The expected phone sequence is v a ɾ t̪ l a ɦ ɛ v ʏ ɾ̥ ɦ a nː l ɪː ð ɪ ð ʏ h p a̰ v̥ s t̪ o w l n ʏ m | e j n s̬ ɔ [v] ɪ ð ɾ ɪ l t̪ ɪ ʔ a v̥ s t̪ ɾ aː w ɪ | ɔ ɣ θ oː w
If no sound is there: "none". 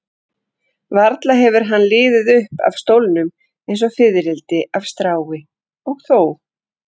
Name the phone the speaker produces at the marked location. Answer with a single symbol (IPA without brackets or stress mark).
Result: f